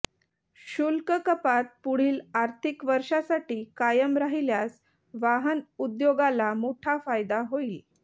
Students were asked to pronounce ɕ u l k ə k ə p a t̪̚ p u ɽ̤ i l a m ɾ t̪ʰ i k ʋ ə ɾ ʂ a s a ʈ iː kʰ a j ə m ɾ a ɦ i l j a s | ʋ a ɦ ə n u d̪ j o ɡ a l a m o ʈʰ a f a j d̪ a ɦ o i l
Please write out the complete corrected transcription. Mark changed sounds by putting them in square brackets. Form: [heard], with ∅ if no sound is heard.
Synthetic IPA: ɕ u l k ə k ə p a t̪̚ p u ɽ̤ [iː] l a [∅] ɾ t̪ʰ i k ʋ ə ɾ ʂ a s a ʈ iː [k] a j ə m ɾ a ɦ i l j a s | ʋ a ɦ ə n u d̪ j o ɡ a l a m o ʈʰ a f a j d̪ a ɦ o i l